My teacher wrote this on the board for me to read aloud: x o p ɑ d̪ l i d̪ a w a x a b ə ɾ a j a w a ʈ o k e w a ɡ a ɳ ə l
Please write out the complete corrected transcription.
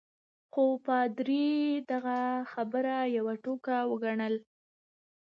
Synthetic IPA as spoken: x o p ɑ d̪ ɾ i d̪ a ɣ a x a b ə ɾ a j a w a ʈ o k a w ə ɡ a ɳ ə l